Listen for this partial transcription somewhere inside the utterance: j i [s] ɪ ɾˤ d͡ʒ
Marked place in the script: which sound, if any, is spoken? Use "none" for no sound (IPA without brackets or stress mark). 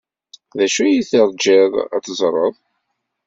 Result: θ